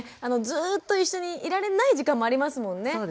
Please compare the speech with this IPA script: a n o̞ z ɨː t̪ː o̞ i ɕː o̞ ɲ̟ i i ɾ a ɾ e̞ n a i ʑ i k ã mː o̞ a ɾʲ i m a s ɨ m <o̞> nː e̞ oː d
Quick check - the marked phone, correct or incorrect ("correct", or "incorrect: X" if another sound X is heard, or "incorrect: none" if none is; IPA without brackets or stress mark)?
incorrect: õ̞